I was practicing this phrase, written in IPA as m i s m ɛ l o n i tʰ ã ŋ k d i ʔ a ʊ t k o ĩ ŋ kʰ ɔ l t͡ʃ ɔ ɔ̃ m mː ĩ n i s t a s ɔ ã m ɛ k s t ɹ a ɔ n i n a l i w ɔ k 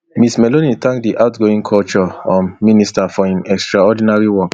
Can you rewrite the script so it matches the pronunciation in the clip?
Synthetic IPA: m i s m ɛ l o n i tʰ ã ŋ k d i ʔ a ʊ t ɡ o ĩ ŋ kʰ ɔ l t͡ʃ ɔ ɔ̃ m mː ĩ n i s t a f ɔ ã n ɛ k s t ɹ a ɔ d i n a ɹ i w ɔ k